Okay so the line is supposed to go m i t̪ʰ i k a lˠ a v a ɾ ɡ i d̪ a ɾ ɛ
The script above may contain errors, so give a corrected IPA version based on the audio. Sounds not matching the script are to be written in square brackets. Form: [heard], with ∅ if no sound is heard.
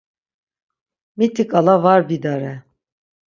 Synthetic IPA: m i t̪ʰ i k a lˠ a v a ɾ [b] i d̪ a ɾ ɛ